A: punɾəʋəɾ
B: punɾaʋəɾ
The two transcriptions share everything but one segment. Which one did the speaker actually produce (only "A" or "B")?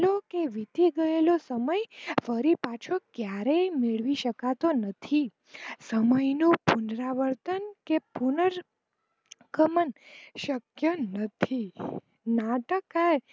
B